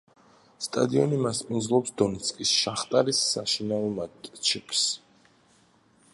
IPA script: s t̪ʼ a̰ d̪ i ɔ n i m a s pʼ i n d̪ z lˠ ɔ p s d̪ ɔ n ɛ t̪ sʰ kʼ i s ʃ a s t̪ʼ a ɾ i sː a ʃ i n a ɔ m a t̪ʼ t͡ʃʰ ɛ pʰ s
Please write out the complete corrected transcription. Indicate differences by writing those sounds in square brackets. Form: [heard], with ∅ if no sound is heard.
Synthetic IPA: s t̪ʼ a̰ d̪ i ɔ n i m a s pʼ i n d̪ z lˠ ɔ p s d̪ ɔ n ɛ t̪ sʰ kʼ i s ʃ a [χ] t̪ʼ a ɾ i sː a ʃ i n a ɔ m a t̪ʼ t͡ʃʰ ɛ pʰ s